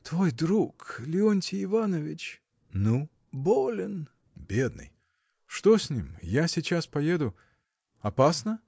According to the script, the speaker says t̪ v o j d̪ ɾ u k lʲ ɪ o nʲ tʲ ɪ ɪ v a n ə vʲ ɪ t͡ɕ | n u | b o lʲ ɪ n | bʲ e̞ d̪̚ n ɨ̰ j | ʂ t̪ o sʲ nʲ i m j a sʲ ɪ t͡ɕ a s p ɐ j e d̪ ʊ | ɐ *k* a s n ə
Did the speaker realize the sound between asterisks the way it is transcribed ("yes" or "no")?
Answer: no